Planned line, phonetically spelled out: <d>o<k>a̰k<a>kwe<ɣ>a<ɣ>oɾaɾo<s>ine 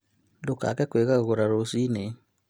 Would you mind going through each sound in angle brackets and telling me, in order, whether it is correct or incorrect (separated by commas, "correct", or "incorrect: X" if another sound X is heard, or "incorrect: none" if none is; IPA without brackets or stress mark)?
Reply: correct, correct, incorrect: ɛ, correct, correct, correct